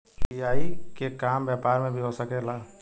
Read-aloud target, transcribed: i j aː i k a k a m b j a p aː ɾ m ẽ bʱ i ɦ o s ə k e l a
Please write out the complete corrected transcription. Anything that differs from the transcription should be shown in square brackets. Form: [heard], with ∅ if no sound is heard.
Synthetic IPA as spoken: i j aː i k [e] k a m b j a p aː ɾ m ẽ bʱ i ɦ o s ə k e l a